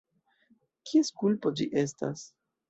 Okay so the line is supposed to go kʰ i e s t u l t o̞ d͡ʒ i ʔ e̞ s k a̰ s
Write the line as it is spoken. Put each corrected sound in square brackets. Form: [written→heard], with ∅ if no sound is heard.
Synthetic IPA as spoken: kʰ i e s [t→k] u l [t→p] o̞ d͡ʒ i ʔ e̞ s [k→t] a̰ s